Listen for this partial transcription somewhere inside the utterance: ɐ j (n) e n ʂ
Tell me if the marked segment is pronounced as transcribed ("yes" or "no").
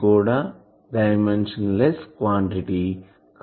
no